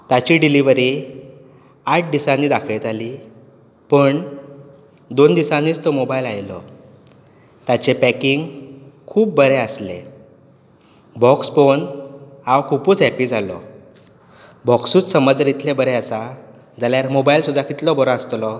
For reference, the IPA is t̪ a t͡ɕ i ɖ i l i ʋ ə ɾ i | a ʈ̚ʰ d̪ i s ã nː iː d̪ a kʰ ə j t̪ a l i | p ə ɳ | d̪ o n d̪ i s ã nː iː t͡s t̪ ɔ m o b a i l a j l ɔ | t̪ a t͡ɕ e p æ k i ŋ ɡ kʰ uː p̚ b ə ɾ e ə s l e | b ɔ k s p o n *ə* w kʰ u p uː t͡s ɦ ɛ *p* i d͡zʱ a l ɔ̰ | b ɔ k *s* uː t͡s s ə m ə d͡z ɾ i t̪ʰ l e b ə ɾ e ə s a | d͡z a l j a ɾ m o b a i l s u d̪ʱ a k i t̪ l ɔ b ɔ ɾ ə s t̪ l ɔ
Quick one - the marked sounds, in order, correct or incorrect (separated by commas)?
incorrect, correct, correct